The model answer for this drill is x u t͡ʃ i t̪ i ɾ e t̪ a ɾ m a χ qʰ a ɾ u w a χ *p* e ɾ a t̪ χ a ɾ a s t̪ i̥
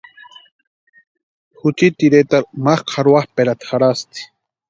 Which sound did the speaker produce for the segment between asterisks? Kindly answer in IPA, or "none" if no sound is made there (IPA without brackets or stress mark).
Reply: p